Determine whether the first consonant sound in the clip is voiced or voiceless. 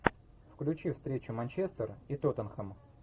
voiceless